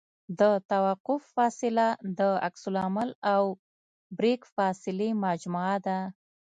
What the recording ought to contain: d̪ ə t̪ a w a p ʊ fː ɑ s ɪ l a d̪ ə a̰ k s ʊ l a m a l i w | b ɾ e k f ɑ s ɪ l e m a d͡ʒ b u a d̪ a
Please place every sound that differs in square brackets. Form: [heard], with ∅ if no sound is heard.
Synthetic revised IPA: d̪ ə t̪ a w a [q] ʊ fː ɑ s ɪ l a d̪ ə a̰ k s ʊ l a m a l [a] w | b ɾ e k f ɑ s ɪ l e m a d͡ʒ [m] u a d̪ a

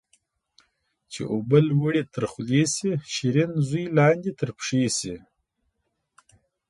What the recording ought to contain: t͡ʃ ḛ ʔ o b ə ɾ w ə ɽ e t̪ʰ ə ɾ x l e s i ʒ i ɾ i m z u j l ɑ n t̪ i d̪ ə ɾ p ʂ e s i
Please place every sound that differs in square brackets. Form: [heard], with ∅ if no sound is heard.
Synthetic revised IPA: t͡ʃ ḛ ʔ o b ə [l] w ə ɽ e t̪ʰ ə ɾ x l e s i [ʃ] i ɾ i [n] z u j l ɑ n [d̪] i [t̪] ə ɾ p ʂ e s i

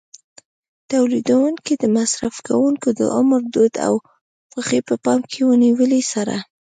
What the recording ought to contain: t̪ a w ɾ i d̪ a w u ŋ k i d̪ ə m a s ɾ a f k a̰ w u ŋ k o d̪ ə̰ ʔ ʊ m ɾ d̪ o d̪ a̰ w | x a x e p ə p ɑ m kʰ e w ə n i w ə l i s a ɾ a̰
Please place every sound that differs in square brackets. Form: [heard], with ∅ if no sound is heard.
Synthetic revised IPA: t̪ a w [l] i d̪ a w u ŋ k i d̪ ə m a s ɾ a f k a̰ w u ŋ k o d̪ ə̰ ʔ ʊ m ɾ d̪ o d̪ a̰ w | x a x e p ə p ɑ m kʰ e w ə n i w ə l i s a ɾ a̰

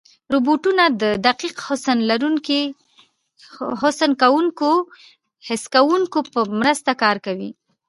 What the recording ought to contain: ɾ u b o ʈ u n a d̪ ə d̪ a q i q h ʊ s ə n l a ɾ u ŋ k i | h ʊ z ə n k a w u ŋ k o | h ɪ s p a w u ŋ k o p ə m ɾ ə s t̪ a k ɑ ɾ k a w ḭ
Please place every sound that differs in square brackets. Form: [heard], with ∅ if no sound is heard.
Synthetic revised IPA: ɾ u b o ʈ u n a d̪ ə d̪ a q i q h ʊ s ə n l a ɾ u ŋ k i | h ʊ [s] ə n k a w u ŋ k o | h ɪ s [k] a w u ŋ k o p ə m ɾ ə s t̪ a k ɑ ɾ k a w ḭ

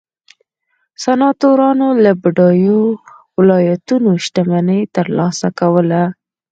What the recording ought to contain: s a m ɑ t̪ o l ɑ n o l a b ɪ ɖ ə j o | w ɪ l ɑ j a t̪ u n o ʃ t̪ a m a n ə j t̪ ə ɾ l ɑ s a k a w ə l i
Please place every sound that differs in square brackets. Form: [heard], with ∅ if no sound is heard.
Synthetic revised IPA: s a [n] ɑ t̪ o [ɾ] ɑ n o l a b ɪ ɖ [ɑ] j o | w ɪ l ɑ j a t̪ u n o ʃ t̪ a m a n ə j t̪ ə ɾ l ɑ s a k a w ə l [a]

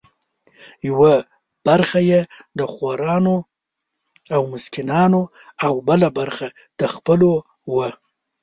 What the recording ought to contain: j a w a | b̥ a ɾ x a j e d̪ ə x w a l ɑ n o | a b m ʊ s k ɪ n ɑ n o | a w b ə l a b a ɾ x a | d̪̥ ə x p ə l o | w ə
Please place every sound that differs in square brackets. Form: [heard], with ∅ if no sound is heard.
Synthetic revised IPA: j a w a | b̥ a ɾ x a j e d̪ ə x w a [ɾ] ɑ n o | a [w] m ʊ s k ɪ n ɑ n o | a w b ə l a b a ɾ x a | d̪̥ ə x p ə l o | w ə

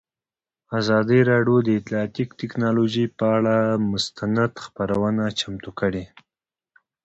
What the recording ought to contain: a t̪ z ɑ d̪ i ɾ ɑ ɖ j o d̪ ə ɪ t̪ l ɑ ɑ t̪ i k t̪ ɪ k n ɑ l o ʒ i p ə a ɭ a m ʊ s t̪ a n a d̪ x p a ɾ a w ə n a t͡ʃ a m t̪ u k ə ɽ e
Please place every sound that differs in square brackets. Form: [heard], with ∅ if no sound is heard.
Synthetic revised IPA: a [∅] z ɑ d̪ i ɾ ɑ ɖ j o d̪ ə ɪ t̪ l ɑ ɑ t̪ i k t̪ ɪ k n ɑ l o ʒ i p ə a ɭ a m ʊ s t̪ a n a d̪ x p a ɾ a w ə n a t͡ʃ a m t̪ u k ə ɽ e

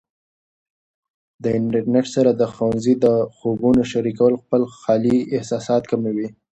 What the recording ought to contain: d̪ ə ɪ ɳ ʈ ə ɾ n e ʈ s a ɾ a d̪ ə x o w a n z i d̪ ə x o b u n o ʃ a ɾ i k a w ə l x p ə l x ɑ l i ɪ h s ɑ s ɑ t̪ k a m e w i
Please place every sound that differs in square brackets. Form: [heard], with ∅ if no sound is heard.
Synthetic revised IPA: d̪ ə ɪ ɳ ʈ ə ɾ n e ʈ s a ɾ a d̪ ə x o w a n z i d̪ ə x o b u n o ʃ a ɾ i k a w ə l x p ə l x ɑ l i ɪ h s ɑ s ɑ t̪ k a m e w i

